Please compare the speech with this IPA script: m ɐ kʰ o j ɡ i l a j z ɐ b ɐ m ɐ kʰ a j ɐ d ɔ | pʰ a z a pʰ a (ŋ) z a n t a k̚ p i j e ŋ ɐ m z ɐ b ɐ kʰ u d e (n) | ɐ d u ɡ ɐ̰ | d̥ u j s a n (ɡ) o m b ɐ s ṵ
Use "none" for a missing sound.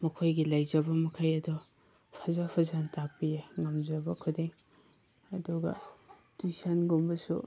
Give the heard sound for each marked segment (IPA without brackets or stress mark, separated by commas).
none, ŋ, ɡ